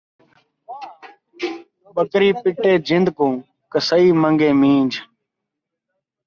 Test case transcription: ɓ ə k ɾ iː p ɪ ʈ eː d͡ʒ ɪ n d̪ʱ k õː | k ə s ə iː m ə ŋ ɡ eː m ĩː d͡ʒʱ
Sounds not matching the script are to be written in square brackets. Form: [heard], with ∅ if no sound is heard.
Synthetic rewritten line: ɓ ə k ɾ iː p ɪ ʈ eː d͡ʒ ɪ n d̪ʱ k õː | k ə s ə iː m ə ŋ ɡ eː m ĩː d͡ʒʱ

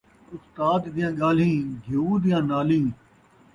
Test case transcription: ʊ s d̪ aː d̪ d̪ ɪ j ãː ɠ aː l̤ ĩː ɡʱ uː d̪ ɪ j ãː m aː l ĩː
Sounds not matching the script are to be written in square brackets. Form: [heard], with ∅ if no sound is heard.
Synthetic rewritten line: ʊ s [t̪] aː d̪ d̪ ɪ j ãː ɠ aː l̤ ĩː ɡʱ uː d̪ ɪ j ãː [n] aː l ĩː

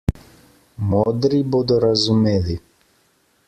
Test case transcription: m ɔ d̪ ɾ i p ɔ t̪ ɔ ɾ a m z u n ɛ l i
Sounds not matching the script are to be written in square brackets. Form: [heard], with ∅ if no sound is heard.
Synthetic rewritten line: m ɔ d̪ ɾ i [b] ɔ [d̪] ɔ ɾ a [∅] z u [m] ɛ l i

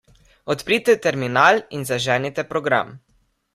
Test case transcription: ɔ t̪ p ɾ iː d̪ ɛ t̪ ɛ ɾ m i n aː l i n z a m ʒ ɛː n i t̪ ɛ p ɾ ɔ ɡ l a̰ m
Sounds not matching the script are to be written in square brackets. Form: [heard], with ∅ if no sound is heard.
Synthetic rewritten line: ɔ t̪ p ɾ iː [t̪] ɛ t̪ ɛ ɾ m i n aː l i n z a [∅] ʒ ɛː n i t̪ ɛ p ɾ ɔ ɡ [ɾ] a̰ m

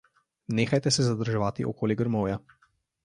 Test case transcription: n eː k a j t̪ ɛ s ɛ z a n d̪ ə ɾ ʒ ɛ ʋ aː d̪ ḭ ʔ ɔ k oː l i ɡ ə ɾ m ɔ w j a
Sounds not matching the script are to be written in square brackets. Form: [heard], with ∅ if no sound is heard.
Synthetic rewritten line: n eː [x] a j t̪ ɛ s ɛ z a [∅] d̪ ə ɾ ʒ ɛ ʋ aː [t̪] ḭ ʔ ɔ k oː l i ɡ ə ɾ m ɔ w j a

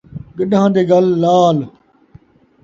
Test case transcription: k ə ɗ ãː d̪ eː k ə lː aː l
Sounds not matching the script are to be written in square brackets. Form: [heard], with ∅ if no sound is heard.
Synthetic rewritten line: [ɡ] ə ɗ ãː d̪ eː [ɡ] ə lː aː l

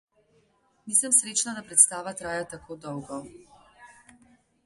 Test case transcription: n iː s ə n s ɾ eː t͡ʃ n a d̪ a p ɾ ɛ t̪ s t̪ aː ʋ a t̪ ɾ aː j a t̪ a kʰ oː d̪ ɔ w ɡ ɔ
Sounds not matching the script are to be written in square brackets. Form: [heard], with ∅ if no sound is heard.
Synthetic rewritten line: n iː s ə [m] s ɾ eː t͡ʃ n a d̪ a p ɾ ɛ t̪ s t̪ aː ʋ a t̪ ɾ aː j a t̪ a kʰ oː d̪ ɔ w ɡ ɔ

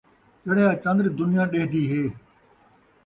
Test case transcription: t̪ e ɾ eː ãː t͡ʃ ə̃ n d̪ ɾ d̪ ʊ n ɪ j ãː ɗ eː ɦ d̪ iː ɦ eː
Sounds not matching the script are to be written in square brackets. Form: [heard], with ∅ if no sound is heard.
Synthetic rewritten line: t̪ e [ɽ] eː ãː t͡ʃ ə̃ n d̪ ɾ d̪ ʊ n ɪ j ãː ɗ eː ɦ d̪ iː ɦ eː

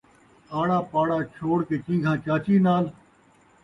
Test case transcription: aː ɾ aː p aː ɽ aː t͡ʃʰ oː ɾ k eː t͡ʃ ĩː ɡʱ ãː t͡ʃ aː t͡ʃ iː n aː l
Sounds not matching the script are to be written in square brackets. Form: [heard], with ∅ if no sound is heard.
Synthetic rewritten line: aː [ɽ] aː p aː ɽ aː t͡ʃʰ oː [ɽ] k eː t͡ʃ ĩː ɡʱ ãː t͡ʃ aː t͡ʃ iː n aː l

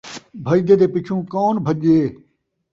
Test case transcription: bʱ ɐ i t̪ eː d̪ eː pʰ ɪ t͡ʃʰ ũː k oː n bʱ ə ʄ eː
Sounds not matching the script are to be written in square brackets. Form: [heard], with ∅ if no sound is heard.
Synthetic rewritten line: bʱ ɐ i [d̪] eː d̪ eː [p] ɪ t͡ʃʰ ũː k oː n bʱ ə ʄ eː

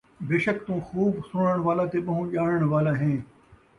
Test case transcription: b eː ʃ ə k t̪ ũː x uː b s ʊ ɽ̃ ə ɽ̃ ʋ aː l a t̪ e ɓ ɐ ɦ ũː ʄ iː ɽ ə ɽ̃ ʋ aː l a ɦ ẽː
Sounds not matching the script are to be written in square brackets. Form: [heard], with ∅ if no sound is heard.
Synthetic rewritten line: b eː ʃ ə k t̪ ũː x uː b s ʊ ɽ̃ ə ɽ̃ ʋ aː l a t̪ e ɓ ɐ ɦ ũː ʄ [aː] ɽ ə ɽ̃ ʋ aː l a ɦ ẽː

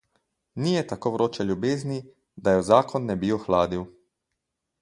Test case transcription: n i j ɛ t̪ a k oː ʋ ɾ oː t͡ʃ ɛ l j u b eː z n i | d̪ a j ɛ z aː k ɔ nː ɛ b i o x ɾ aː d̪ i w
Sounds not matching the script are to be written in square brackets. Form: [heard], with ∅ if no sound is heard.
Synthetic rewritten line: n i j ɛ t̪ a k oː ʋ ɾ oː t͡ʃ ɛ l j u b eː z n i | d̪ a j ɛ z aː k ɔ nː ɛ b i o x [l] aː d̪ i w

